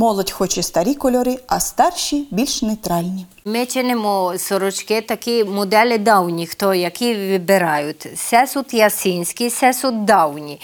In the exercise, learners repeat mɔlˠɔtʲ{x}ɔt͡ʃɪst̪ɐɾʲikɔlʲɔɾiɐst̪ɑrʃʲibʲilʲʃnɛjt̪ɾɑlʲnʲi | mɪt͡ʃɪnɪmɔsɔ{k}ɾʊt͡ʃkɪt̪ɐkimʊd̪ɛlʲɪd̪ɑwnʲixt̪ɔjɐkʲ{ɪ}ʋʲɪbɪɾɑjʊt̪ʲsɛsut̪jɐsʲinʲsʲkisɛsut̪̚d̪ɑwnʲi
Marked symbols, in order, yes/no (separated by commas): yes, no, no